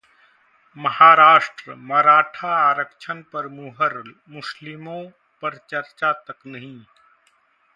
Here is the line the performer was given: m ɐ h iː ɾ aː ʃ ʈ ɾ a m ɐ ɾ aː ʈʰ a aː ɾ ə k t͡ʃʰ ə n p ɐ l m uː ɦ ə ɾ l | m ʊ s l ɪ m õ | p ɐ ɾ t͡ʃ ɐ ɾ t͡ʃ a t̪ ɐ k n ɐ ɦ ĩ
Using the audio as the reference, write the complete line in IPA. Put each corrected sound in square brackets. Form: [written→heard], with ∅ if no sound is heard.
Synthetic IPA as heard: m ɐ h [iː→aː] ɾ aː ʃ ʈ ɾ [a→ə] m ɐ ɾ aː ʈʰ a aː ɾ ə k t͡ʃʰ ə n p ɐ [l→ɾ] m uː ɦ ə ɾ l | m ʊ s l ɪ m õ | p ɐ ɾ t͡ʃ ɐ ɾ t͡ʃ a t̪ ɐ k n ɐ ɦ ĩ